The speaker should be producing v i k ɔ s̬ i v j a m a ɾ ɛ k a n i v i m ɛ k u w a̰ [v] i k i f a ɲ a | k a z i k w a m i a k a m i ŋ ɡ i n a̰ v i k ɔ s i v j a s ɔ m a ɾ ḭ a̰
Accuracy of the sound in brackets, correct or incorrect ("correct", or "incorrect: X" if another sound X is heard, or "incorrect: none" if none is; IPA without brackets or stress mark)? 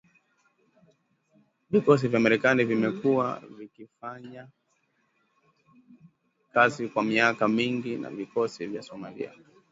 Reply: correct